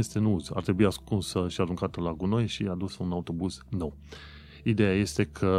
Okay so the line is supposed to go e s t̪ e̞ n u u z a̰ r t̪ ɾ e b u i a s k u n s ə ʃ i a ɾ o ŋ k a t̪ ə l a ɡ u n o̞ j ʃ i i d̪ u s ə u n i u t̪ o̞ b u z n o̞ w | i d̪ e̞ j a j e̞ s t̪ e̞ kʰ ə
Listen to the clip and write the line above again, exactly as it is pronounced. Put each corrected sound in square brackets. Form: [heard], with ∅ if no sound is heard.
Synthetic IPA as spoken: e s t̪ e̞ n u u z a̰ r t̪ ɾ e b u i a s k u n s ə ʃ i a ɾ [u] ŋ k a t̪ ə l a ɡ u n o̞ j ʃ i [a] d̪ u s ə u n [a] u t̪ o̞ b u z n o̞ w | i d̪ e̞ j a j e̞ s t̪ e̞ kʰ ə